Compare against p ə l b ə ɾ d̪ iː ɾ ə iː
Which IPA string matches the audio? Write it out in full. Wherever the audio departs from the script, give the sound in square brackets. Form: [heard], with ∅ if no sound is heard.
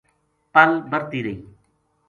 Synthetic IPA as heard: p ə l b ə ɾ [t̪] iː ɾ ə iː